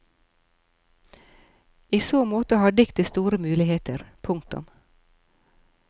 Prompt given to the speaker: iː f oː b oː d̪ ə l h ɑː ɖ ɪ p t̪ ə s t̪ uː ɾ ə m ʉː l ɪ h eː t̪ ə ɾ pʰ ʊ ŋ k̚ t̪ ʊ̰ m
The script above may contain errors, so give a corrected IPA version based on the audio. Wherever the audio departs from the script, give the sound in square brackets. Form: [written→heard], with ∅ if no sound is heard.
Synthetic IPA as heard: iː [f→s] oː [b→m] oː [d̪→t̪] ə [l→∅] h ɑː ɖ ɪ [p→k] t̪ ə s t̪ uː ɾ ə m ʉː l ɪ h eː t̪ ə ɾ pʰ ʊ ŋ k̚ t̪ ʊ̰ m